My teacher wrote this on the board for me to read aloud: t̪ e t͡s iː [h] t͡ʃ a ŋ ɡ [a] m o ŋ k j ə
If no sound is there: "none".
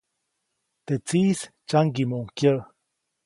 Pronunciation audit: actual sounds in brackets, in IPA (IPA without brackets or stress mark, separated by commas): s, i